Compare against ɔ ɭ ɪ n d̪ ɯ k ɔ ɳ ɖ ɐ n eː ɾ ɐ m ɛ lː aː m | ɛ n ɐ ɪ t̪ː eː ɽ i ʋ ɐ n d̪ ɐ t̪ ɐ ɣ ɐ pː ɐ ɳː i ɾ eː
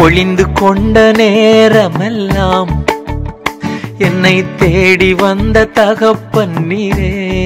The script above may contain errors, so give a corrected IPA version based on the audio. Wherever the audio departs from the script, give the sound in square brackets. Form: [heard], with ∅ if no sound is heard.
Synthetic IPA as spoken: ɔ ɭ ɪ n d̪ ɯ k ɔ ɳ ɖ ɐ n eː ɾ ɐ m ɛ lː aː m | ɛ [nː] ɐ ɪ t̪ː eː ɽ i ʋ ɐ n d̪ ɐ t̪ ɐ ɣ ɐ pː ɐ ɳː i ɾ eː